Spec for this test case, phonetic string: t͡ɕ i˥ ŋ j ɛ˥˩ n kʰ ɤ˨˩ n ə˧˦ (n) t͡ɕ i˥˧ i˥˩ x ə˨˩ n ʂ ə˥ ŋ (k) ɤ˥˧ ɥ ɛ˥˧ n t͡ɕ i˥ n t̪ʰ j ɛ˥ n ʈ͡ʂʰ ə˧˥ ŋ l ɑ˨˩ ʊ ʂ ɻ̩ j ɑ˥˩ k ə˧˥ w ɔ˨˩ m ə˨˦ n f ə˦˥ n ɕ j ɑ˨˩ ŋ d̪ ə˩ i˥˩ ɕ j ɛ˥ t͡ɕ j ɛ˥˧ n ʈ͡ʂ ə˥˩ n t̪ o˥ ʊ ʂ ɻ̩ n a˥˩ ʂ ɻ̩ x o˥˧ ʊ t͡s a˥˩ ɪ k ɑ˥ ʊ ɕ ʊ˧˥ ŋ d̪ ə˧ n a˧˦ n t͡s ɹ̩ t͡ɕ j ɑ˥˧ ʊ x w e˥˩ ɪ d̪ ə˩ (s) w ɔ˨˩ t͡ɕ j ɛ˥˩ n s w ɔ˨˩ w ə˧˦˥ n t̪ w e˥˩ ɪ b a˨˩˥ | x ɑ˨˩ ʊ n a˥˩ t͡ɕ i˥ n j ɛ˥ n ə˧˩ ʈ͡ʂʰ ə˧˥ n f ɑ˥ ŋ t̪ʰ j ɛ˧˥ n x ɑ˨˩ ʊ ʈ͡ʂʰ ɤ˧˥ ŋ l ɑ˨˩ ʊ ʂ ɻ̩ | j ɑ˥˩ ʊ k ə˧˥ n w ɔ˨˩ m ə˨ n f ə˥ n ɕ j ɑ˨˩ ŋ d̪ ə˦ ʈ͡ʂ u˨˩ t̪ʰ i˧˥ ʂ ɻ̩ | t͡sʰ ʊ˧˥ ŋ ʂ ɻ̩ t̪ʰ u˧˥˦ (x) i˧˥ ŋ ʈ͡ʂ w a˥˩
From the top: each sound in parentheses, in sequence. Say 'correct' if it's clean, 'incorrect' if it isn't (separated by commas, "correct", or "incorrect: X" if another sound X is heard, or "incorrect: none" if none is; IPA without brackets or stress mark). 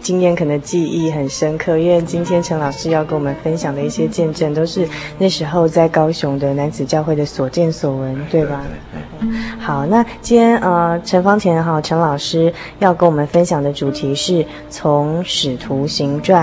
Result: incorrect: ŋ, incorrect: kʰ, correct, incorrect: ɕ